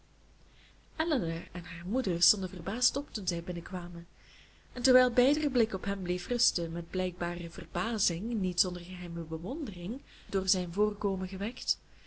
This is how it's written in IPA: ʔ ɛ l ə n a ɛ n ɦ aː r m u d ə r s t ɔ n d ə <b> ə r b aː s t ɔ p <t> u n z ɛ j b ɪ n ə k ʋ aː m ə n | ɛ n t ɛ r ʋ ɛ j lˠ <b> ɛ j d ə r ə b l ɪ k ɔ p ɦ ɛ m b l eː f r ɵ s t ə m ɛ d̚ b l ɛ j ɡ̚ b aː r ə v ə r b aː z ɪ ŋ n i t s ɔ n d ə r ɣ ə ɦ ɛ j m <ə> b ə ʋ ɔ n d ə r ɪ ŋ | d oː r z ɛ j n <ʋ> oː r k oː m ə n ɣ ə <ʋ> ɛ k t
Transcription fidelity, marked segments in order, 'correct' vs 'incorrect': incorrect, correct, correct, correct, incorrect, correct

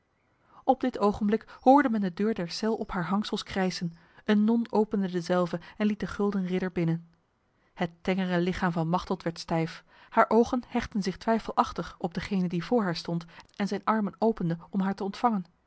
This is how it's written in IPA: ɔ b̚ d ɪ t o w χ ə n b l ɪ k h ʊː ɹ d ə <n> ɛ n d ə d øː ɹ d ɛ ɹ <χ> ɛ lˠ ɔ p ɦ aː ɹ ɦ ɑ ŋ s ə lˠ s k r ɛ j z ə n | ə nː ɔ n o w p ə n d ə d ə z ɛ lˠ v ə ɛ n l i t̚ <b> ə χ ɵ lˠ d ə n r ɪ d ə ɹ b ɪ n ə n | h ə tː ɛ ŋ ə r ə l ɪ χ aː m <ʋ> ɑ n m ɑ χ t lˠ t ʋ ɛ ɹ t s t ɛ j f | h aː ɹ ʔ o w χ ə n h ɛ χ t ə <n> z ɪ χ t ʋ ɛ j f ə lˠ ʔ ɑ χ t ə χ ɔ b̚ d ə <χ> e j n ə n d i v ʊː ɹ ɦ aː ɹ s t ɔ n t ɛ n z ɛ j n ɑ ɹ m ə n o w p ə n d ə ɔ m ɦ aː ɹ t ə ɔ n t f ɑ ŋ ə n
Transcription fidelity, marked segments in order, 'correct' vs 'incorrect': incorrect, incorrect, incorrect, incorrect, correct, correct

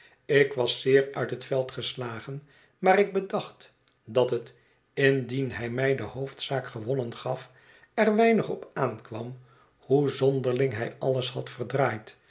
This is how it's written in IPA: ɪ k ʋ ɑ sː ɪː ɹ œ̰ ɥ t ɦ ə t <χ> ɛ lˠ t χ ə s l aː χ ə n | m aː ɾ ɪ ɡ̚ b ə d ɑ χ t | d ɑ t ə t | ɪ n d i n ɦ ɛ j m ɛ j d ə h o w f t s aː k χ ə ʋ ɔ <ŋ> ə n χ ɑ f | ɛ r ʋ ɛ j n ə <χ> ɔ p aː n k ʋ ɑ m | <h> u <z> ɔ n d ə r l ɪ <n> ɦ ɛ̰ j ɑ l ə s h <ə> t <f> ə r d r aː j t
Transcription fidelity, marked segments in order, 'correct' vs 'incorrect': incorrect, incorrect, correct, correct, correct, incorrect, incorrect, correct

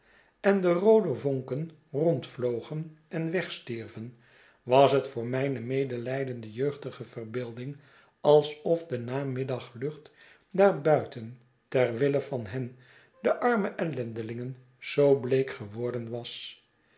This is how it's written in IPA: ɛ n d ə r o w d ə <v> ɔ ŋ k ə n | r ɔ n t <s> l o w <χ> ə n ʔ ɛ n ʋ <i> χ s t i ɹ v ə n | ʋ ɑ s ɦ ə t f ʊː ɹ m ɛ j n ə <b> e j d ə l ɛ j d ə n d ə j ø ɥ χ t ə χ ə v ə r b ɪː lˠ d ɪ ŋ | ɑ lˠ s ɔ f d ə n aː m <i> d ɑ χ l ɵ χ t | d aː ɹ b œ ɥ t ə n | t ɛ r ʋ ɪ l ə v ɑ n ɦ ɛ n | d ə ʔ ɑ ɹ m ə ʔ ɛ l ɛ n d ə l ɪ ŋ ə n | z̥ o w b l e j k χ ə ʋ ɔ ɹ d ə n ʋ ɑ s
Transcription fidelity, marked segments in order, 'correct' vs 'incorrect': correct, incorrect, correct, incorrect, incorrect, incorrect

